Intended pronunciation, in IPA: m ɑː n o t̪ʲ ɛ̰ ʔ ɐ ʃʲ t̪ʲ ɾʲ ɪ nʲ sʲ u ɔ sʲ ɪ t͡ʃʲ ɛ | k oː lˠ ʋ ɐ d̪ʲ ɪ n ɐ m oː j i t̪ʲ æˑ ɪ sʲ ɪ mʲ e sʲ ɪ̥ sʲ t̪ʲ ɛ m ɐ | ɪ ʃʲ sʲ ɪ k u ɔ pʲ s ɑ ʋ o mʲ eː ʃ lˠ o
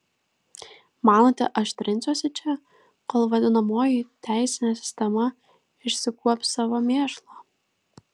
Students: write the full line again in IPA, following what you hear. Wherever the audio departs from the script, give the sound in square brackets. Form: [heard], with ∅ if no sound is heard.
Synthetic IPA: m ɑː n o t̪ʲ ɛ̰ ʔ ɐ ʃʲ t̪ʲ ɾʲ ɪ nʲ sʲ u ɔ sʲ ɪ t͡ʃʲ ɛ | k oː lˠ ʋ ɐ d̪ʲ ɪ n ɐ m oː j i t̪ʲ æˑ ɪ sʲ ɪ [nʲ] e sʲ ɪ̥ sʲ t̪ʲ ɛ m ɐ | ɪ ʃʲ sʲ ɪ k u ɔ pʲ s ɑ ʋ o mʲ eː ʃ lˠ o

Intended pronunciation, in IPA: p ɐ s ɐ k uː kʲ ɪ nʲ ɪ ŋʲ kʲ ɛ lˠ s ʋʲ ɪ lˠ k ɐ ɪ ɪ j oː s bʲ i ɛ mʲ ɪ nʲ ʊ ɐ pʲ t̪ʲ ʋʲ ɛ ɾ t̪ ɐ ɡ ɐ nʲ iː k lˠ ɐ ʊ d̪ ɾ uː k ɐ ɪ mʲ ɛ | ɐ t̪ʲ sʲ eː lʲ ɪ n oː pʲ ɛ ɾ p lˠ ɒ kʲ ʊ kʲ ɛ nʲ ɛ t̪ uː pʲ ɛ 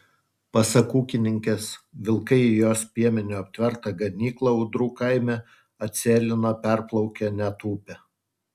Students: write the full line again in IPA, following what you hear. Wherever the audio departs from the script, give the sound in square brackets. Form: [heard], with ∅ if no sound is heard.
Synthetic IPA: p ɐ s ɐ k uː kʲ ɪ nʲ ɪ ŋʲ kʲ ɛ [∅] s ʋʲ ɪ lˠ k ɐ ɪ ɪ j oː s [pʲ] i ɛ mʲ ɪ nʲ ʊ ɐ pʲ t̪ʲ ʋʲ ɛ ɾ t̪ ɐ ɡ ɐ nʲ iː k lˠ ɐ ʊ d̪ ɾ uː k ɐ ɪ mʲ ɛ | ɐ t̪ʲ sʲ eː lʲ ɪ n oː pʲ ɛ ɾ p lˠ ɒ [∅] ʊ kʲ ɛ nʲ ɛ t̪ uː pʲ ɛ

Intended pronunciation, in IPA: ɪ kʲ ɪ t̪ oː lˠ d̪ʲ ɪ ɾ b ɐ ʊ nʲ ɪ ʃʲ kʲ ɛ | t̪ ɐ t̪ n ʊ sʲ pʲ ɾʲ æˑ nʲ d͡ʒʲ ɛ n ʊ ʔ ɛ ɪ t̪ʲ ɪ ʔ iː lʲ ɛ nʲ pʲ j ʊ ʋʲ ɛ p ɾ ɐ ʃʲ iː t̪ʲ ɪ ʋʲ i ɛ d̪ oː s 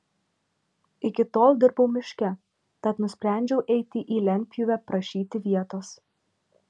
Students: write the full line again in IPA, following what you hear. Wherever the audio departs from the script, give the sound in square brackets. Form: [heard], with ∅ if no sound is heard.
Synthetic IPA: ɪ kʲ ɪ t̪ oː lˠ d̪ʲ ɪ ɾ b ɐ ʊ [mʲ] ɪ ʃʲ kʲ ɛ | t̪ ɐ t̪ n ʊ sʲ pʲ ɾʲ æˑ nʲ d͡ʒʲ ɛ [∅] ʊ ʔ ɛ ɪ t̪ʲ ɪ ʔ iː lʲ ɛ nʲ pʲ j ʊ ʋʲ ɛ p ɾ ɐ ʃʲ iː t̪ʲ ɪ ʋʲ i ɛ [t̪] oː s

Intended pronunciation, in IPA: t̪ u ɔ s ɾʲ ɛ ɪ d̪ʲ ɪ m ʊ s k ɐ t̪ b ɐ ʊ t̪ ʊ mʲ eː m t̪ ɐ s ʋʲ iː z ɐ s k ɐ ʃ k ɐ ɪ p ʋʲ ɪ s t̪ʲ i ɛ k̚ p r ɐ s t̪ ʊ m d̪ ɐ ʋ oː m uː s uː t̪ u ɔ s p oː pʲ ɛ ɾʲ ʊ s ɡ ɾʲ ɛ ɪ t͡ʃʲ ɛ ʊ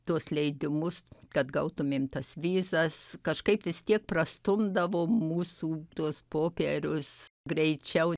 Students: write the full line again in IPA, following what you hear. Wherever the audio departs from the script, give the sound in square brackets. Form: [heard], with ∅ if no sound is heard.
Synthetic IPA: t̪ u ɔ s [lʲ] ɛ ɪ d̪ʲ ɪ m ʊ s k ɐ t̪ [ɡ] ɐ ʊ t̪ ʊ mʲ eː m t̪ ɐ s ʋʲ iː z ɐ s k ɐ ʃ k ɐ ɪ p ʋʲ ɪ s t̪ʲ i ɛ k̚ p r ɐ s t̪ ʊ m d̪ ɐ ʋ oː m uː s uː t̪ u ɔ s p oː pʲ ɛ ɾʲ ʊ s ɡ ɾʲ ɛ ɪ t͡ʃʲ ɛ ʊ

